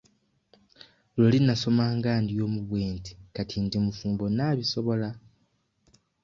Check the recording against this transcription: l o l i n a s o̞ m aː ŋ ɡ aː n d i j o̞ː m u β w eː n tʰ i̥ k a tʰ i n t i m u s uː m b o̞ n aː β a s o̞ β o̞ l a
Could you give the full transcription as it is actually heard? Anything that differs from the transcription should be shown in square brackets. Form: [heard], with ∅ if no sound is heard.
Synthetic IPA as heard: l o l i n a s o̞ m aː ŋ ɡ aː n d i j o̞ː m u β w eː n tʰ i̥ k a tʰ i n [d] i m u [f] uː m b o̞ n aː β [i] s o̞ β o̞ l a